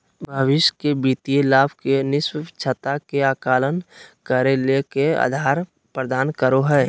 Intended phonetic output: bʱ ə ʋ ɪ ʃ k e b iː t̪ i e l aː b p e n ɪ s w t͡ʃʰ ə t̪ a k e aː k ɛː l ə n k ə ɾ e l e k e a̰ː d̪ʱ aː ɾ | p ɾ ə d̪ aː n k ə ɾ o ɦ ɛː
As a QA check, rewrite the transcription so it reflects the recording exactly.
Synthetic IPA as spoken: bʱ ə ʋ ɪ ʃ k e b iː t̪ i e l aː b k e n ɪ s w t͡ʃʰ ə t̪ a k e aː k aː l ə n k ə ɾ e l e k e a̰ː d̪ʱ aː ɾ | p ɾ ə d̪ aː n k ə ɾ o ɦ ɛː